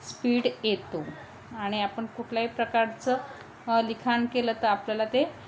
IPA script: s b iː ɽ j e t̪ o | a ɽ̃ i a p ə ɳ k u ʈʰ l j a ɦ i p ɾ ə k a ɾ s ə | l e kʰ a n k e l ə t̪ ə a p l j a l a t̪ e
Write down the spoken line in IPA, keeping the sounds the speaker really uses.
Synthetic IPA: s p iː ɽ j e t̪ o | a ɽ̃ i a p ə ɳ k u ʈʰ l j a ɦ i p ɾ ə k a ɾ t͡s ə | l i kʰ a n k e l ə t̪ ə a p l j a l a t̪ e